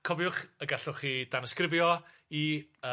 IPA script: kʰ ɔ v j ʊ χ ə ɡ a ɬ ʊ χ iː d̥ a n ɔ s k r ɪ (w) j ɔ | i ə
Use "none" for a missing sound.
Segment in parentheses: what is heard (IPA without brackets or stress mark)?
v